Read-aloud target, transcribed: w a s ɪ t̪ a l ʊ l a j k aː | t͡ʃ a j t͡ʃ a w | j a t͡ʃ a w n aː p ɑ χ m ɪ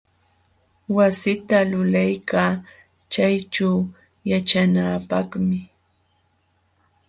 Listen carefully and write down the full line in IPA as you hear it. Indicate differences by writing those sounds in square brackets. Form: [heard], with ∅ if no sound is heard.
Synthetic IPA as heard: w a s ɪ t̪ a l ʊ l a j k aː | t͡ʃ a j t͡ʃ a w | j a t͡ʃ a [∅] n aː p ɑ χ m ɪ